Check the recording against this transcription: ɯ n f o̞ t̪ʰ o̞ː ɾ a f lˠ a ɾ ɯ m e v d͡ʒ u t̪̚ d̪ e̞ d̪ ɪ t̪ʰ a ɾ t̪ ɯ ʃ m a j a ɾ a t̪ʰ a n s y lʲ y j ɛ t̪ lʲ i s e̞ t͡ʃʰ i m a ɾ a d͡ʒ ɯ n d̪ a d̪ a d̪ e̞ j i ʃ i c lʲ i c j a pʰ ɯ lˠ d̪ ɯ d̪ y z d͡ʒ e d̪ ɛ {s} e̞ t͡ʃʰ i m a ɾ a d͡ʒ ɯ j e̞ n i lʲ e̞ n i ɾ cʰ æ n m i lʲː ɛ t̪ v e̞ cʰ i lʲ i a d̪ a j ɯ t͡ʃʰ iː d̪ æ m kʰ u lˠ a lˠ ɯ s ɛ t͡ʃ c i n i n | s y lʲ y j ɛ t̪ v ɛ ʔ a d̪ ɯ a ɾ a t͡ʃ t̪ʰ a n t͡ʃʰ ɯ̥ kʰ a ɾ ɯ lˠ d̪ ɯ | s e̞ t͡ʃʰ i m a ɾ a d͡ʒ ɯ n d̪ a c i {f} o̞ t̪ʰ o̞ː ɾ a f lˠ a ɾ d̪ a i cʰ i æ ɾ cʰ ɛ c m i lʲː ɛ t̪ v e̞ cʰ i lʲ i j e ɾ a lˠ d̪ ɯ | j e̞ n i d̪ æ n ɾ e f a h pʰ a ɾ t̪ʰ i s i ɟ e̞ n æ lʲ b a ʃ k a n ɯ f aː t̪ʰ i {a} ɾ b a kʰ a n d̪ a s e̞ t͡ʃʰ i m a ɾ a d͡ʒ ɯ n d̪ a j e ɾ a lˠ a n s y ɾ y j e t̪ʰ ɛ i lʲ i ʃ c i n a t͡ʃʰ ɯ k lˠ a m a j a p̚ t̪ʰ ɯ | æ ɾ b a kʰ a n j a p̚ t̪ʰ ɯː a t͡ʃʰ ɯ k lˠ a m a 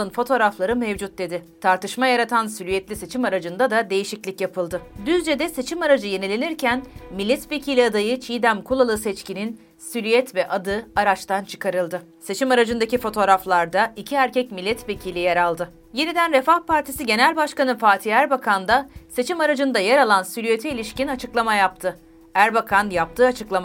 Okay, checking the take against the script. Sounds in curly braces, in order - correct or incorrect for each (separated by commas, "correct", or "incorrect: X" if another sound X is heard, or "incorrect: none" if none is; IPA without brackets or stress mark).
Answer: correct, correct, incorrect: æ